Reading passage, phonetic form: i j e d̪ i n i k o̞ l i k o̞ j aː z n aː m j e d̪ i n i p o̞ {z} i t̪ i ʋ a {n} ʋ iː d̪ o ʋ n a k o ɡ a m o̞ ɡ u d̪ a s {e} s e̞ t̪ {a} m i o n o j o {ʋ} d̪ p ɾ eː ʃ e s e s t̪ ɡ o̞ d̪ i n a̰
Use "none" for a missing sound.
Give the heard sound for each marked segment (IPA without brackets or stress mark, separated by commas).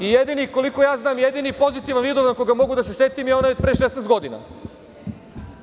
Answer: z, n, e, i, none